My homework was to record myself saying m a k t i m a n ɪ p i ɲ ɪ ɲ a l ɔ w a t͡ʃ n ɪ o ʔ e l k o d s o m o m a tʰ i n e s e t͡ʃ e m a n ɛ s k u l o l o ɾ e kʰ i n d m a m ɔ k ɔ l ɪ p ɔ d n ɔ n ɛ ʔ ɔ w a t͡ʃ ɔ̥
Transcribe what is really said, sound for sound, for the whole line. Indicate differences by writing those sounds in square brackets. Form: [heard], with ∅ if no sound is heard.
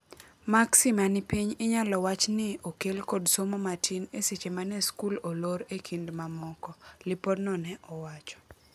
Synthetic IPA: m a k [s] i m a n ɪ p i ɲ ɪ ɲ a l ɔ w a t͡ʃ n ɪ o [k] e l k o d s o m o m a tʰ i n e s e t͡ʃ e m a n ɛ s k u l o l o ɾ e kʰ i n d m a m ɔ k ɔ l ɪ p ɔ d n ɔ n ɛ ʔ ɔ w a t͡ʃ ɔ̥